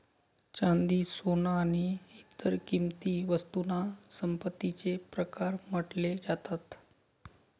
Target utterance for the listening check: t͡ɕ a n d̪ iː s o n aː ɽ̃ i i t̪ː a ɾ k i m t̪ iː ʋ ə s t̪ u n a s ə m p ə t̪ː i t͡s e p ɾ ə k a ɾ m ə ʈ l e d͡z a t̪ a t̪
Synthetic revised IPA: t͡ɕ a n d̪ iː s o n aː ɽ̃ i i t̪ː ə ɾ k i m t̪ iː ʋ ə s t̪ u n a s ə m p ə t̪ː i t͡s e p ɾ ə k a ɾ m ə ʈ l e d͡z a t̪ a t̪